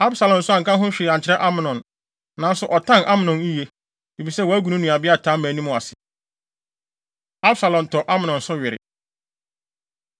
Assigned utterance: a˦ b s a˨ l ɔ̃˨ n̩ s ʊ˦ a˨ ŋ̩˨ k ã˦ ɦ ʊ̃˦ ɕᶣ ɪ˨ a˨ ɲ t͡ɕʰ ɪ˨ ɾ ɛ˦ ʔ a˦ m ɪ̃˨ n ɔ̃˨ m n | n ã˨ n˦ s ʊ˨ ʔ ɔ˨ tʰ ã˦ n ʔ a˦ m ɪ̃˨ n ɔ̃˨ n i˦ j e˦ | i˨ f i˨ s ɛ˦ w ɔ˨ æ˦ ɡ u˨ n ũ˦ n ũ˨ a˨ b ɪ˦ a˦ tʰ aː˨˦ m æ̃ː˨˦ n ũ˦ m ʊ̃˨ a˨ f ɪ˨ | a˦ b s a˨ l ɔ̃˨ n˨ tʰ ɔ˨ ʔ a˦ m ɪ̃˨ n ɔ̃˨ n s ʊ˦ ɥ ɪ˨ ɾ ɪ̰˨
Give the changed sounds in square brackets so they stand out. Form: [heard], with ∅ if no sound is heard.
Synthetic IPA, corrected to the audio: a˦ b s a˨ l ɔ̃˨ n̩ s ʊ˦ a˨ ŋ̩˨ k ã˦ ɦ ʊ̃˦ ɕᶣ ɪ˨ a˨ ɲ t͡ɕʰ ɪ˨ ɾ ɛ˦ ʔ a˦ m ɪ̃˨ n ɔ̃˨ [∅] n | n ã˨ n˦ s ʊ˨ ʔ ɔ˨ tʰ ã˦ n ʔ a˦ m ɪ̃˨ n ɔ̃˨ n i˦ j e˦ | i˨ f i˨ s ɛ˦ w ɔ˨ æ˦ ɡ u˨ n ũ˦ n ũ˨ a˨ b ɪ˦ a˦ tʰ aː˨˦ m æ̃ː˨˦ n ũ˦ m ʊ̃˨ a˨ [s] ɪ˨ | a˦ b s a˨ l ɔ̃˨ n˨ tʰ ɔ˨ ʔ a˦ m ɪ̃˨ n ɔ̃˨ n s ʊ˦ ɥ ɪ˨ ɾ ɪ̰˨